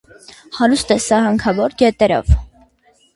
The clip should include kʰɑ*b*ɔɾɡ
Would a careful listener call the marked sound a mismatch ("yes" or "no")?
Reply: yes